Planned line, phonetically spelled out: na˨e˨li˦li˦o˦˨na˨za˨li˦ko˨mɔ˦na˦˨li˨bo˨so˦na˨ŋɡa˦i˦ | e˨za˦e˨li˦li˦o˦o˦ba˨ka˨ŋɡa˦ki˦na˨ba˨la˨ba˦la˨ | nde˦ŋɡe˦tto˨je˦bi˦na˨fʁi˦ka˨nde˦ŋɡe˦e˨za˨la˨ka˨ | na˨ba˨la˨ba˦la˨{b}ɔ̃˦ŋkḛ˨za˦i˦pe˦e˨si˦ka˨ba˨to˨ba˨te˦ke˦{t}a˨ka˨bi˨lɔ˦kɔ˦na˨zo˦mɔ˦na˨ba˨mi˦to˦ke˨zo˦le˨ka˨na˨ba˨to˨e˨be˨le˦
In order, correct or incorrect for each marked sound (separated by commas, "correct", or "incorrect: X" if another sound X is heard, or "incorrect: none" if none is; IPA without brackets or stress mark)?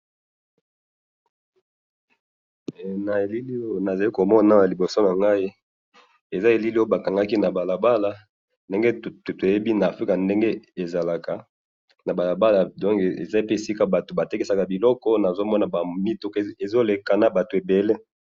incorrect: d, incorrect: s